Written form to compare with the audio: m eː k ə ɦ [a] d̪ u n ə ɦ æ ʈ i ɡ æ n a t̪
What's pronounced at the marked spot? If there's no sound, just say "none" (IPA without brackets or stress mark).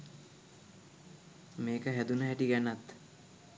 æ